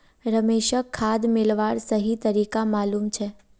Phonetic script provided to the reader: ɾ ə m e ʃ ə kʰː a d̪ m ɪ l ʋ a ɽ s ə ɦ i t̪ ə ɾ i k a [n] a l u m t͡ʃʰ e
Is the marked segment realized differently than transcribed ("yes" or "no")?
yes